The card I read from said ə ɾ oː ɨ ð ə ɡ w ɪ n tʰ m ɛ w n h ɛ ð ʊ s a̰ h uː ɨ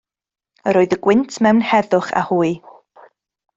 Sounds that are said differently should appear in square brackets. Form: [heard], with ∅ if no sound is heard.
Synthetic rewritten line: ə ɾ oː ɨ ð ə ɡ w ɪ n tʰ m ɛ w n h ɛ ð ʊ [χ] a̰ h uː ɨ